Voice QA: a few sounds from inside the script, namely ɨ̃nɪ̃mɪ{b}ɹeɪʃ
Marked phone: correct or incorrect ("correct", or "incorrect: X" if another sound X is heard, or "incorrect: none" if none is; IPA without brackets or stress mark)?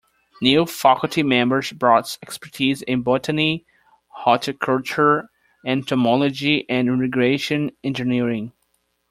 incorrect: ɡ